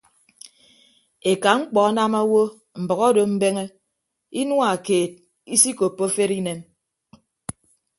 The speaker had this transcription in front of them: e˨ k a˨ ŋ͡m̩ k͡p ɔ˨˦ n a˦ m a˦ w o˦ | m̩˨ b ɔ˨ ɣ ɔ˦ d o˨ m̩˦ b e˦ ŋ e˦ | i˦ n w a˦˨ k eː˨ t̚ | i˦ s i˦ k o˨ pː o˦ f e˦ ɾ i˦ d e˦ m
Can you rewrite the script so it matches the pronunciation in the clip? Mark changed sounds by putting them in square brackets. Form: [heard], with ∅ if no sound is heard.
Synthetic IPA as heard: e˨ k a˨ ŋ͡m̩ k͡p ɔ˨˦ n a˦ m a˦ w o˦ | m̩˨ b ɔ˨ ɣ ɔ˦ d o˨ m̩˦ b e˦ ŋ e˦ | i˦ n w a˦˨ k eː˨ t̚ | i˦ s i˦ k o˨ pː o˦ f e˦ ɾ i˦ [n] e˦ m